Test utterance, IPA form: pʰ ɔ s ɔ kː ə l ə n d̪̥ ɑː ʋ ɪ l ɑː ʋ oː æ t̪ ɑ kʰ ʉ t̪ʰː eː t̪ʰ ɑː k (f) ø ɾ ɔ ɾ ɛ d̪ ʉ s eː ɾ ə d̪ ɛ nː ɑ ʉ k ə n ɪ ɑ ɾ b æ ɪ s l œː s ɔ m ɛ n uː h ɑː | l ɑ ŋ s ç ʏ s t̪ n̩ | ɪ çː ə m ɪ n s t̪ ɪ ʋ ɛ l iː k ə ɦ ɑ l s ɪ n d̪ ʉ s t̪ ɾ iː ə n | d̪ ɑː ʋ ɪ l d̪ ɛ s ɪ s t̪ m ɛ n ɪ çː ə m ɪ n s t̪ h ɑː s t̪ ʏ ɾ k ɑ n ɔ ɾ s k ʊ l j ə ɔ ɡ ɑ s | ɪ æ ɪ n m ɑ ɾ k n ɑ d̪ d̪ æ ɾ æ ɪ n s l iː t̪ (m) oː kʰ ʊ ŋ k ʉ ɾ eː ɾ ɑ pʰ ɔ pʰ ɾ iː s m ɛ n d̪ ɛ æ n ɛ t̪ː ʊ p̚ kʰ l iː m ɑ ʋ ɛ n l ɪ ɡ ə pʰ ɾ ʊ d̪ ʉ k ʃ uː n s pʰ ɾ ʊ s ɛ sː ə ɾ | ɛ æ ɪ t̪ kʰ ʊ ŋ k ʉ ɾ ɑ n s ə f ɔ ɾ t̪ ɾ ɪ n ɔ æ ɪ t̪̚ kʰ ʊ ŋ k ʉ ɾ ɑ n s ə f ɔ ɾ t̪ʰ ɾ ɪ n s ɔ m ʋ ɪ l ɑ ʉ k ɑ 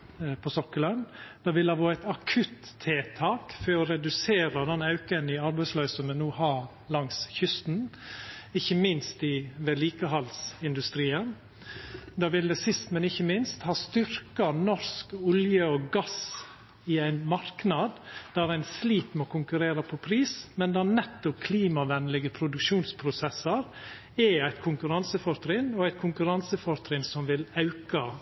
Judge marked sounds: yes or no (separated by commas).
yes, yes